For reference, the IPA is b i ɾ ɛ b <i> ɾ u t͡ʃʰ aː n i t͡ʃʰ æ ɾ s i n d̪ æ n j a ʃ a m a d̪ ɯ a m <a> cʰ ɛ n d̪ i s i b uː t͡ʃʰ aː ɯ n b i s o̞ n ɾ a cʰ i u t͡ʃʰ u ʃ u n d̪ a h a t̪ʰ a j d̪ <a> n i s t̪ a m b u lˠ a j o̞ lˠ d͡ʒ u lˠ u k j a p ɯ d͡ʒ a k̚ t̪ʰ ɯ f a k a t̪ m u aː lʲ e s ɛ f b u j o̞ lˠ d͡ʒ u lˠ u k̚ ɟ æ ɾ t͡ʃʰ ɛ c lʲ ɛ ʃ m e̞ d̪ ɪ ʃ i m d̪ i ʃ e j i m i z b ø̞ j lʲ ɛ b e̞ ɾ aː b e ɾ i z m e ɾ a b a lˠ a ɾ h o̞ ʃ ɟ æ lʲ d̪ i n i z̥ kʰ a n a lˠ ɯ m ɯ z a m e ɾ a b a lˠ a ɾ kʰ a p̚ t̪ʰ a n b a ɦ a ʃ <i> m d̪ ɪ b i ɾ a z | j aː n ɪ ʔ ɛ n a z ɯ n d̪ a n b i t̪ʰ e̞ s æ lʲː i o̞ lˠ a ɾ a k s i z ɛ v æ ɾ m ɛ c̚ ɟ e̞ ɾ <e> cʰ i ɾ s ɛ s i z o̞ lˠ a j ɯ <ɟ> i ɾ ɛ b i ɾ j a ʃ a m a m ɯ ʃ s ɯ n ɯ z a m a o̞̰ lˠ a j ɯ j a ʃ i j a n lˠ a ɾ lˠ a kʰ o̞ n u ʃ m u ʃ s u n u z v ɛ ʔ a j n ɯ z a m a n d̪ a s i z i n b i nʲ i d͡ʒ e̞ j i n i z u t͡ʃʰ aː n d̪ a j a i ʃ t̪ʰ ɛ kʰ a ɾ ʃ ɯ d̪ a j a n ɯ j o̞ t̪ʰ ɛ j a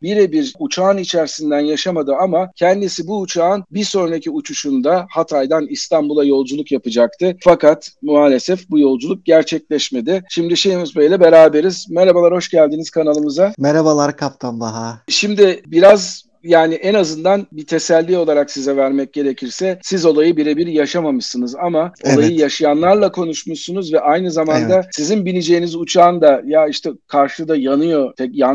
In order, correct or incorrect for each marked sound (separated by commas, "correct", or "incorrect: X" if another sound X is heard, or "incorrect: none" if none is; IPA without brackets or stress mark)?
correct, correct, correct, correct, correct, incorrect: b